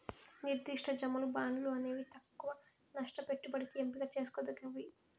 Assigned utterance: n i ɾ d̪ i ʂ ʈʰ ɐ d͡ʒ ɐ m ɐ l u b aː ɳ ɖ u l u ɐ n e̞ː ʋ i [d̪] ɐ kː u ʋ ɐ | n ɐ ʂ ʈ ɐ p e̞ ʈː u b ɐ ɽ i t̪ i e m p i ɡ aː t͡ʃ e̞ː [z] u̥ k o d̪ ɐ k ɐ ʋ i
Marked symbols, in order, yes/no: no, no

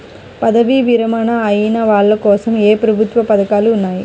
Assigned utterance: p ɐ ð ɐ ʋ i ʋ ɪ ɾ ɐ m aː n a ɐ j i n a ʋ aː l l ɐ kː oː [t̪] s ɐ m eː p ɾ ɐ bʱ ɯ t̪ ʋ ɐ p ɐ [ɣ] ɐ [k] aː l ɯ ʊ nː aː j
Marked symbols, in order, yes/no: no, no, yes

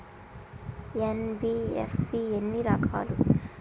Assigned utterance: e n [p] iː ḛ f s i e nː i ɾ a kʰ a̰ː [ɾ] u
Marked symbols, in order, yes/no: no, no

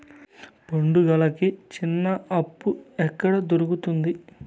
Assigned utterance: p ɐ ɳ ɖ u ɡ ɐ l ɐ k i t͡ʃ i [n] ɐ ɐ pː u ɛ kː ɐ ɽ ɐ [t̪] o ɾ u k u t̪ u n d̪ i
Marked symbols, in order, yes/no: no, no

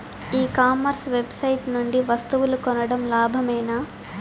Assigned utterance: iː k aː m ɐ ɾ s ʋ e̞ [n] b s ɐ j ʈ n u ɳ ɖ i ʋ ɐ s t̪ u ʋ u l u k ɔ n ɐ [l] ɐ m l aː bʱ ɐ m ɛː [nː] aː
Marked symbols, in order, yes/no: no, no, no

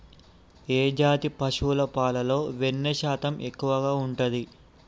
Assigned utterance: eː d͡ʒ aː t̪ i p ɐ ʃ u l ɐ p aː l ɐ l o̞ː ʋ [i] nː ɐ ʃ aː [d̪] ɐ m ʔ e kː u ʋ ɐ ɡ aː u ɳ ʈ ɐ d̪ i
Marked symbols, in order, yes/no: no, no

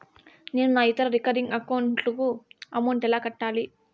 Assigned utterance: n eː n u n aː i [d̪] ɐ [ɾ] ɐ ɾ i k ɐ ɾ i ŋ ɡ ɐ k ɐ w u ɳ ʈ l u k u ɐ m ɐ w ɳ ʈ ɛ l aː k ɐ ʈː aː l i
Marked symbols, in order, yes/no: no, yes

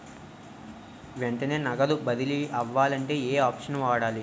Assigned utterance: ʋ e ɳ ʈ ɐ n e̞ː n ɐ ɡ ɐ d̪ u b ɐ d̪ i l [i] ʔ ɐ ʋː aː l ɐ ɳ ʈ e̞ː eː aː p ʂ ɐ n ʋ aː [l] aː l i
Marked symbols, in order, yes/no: yes, no

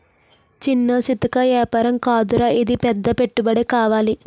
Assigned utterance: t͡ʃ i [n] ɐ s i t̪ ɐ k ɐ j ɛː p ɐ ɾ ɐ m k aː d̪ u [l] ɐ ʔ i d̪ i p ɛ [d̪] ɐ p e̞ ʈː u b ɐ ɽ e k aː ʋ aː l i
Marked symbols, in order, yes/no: no, no, no

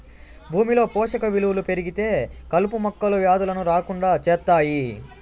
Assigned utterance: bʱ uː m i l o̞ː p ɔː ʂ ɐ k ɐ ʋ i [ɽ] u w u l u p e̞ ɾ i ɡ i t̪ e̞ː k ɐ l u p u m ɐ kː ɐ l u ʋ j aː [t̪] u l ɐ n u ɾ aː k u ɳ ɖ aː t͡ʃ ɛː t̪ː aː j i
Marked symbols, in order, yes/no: no, no

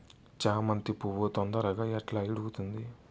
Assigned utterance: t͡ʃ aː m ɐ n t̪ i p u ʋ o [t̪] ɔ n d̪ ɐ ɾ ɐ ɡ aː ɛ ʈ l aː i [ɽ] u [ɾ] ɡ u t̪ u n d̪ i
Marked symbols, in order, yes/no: yes, yes, no

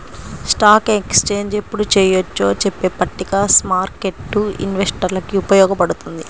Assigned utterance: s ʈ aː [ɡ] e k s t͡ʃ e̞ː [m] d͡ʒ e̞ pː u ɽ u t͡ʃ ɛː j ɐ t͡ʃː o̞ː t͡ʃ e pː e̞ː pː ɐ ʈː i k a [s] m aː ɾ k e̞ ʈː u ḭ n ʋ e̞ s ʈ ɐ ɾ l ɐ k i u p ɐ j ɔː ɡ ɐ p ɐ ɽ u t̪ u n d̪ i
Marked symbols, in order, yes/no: no, no, yes

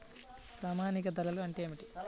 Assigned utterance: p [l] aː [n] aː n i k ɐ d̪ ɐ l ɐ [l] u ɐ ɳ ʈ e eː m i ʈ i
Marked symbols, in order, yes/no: no, no, yes

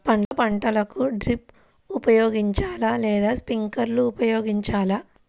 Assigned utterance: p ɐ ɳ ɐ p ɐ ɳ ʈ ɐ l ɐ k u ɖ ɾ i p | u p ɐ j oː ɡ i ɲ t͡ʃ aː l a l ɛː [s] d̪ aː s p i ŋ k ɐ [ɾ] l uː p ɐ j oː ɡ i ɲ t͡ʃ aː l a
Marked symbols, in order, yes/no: no, yes

